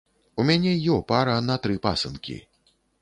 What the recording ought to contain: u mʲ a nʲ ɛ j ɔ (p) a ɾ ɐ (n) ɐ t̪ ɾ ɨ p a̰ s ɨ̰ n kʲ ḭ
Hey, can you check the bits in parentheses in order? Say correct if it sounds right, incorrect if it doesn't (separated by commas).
correct, correct